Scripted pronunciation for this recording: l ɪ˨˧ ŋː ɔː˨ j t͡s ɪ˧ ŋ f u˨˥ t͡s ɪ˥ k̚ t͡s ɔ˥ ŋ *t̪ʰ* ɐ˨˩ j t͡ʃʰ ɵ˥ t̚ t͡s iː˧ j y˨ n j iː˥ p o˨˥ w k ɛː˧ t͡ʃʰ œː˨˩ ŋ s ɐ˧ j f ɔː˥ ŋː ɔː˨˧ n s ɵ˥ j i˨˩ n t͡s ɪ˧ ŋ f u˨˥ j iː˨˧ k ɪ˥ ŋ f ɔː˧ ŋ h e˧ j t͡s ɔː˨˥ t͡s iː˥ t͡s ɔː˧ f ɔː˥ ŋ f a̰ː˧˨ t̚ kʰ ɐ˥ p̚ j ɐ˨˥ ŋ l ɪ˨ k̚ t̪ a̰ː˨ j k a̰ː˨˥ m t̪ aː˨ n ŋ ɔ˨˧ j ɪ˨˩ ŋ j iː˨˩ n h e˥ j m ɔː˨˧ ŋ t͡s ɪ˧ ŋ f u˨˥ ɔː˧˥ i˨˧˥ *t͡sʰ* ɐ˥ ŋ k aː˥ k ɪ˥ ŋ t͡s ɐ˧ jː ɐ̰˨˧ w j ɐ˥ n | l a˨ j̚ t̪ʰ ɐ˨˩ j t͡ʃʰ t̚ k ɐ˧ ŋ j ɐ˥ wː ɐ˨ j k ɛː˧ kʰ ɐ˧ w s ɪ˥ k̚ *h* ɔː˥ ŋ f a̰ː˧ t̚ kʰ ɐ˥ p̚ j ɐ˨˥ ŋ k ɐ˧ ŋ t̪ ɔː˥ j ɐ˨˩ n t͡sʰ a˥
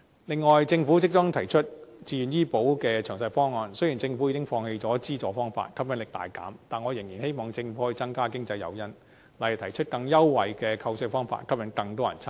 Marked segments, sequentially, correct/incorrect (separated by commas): correct, incorrect, incorrect